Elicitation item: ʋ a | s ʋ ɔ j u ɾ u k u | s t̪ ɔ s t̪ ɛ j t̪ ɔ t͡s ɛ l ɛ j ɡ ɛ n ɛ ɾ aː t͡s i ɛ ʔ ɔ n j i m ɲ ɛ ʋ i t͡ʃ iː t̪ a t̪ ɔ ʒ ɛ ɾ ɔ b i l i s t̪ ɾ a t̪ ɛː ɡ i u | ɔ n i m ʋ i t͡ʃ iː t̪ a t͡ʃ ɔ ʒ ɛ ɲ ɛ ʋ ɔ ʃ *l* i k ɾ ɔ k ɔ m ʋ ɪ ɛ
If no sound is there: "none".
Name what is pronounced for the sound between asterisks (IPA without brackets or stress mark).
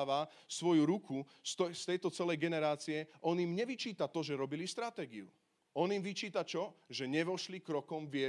l